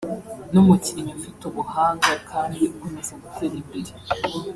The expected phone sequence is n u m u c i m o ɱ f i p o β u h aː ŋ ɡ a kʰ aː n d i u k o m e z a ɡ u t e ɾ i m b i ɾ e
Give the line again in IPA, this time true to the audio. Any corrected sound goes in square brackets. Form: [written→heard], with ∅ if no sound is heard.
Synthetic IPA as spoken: n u m u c i [m→ɲ] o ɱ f i [p→t] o β u h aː ŋ ɡ a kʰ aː n d i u k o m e z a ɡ u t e ɾ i m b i ɾ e